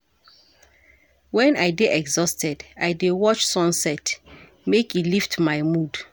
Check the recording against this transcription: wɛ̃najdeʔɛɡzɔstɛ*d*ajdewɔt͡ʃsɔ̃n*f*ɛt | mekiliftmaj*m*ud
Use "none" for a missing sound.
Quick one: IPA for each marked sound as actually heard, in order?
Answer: d, s, m

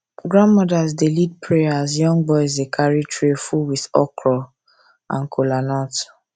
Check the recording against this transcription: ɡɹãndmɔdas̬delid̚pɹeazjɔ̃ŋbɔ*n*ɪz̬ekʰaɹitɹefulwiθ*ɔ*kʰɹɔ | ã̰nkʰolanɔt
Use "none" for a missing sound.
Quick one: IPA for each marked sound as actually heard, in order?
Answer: none, ɔ

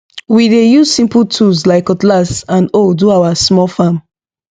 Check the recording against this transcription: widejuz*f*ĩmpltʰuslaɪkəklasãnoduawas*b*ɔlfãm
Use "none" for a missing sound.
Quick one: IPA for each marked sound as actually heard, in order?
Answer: s, m

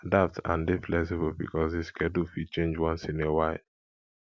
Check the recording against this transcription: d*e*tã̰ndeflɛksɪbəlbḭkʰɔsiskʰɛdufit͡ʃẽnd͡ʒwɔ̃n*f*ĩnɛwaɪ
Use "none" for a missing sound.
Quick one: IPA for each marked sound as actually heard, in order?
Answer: a, s

